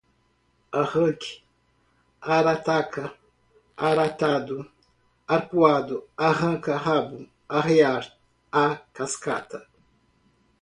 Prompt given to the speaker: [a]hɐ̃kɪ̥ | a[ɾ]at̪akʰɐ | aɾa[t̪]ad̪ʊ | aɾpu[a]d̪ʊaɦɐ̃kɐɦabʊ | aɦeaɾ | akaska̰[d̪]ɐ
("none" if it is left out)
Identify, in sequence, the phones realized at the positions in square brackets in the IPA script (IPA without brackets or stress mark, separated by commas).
a, ɾ, t̪, a, t̪